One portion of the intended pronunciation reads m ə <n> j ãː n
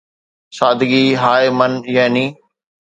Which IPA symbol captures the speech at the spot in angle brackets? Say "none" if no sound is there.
n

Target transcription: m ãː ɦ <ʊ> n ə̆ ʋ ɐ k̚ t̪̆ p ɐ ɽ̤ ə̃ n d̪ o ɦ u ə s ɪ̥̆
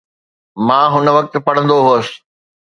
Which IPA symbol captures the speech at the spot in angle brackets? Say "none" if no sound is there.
ʊ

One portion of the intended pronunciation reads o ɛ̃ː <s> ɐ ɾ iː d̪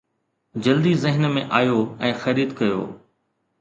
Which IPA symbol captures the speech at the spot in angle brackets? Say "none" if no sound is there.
x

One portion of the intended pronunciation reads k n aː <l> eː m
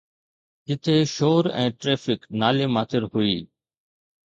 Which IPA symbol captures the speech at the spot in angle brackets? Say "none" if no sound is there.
l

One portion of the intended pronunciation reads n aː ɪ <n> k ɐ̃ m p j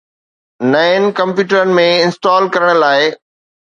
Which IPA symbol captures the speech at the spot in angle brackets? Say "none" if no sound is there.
n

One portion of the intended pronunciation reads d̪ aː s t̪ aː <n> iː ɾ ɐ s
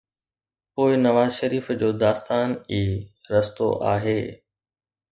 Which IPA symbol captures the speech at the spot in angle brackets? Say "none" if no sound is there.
n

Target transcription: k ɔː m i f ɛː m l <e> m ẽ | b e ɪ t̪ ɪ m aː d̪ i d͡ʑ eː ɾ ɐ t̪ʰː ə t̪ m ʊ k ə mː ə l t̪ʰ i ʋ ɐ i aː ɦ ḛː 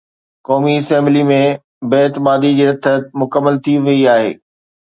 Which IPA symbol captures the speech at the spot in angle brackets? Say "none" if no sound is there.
i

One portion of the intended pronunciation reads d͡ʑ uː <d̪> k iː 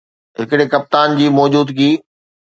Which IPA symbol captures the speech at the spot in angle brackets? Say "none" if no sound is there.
d̪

